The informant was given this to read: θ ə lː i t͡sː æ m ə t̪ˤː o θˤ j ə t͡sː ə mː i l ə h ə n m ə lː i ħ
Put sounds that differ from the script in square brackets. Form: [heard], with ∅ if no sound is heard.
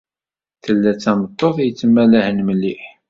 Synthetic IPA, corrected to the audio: θ ə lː [æ] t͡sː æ m ə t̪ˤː o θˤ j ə t͡sː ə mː [æ] l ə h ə n m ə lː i ħ